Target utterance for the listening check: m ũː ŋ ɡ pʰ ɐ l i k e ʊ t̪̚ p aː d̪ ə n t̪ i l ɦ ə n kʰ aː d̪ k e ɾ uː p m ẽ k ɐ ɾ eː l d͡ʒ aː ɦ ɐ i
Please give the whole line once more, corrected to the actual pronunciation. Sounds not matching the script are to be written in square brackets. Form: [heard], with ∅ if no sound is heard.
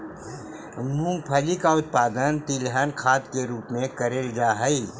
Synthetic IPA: m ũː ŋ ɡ pʰ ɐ l i k [a] ʊ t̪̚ p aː d̪ ə n t̪ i l ɦ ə n kʰ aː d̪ k e ɾ uː p m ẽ k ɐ ɾ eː l d͡ʒ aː ɦ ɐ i